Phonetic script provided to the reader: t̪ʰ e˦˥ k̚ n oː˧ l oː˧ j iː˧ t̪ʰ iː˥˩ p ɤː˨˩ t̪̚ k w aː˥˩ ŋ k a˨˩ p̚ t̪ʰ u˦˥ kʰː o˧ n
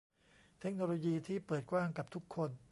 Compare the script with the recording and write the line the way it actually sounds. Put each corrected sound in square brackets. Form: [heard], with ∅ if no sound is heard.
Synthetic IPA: t̪ʰ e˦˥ k̚ n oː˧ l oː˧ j iː˧ t̪ʰ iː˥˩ p ɤː˨˩ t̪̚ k w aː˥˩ ŋ k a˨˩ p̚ t̪ʰ u˦˥ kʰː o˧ n

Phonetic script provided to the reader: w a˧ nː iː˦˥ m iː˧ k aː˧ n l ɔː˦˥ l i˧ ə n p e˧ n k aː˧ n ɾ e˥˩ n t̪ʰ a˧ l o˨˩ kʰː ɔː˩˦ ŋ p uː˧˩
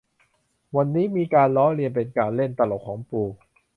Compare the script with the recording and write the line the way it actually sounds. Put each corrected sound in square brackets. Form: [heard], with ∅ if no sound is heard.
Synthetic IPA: w a˧ nː iː˦˥ m iː˧ k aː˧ n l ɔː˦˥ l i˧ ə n p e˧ n k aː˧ n [l] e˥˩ n [t̪] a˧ l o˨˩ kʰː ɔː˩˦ ŋ p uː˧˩

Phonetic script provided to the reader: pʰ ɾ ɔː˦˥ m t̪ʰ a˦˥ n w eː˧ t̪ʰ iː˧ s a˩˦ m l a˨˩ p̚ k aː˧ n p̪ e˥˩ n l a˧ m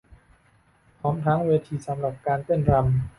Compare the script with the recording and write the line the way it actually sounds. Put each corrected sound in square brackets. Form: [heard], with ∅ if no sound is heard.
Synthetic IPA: pʰ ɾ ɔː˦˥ m t̪ʰ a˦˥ [ŋ] w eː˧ t̪ʰ iː˧ s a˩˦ m [ɾ] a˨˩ p̚ k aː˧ n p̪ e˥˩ n [ɾ] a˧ m

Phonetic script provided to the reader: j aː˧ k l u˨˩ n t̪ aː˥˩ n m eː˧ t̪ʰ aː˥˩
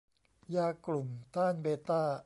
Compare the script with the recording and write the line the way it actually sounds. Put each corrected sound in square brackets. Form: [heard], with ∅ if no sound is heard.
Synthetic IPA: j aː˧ k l u˨˩ [m] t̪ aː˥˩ n [b] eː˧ [t̪] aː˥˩

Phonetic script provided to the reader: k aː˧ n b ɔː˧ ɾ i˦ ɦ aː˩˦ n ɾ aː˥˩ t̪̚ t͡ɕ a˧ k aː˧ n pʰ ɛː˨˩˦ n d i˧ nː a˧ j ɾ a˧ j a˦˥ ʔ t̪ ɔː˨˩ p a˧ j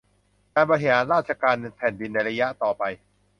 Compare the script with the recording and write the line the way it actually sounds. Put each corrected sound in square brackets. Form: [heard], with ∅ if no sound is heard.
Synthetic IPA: k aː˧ n b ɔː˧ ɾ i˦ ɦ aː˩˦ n ɾ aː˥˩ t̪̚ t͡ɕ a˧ k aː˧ n pʰ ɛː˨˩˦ n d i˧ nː a˧ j ɾ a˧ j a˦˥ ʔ t̪ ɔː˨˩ p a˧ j

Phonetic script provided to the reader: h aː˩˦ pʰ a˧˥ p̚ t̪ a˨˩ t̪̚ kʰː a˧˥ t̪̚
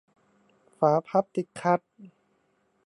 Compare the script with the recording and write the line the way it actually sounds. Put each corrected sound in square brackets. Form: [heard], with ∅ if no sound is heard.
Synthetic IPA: [f] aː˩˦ pʰ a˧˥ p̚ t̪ [i˨˩] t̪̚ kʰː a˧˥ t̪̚

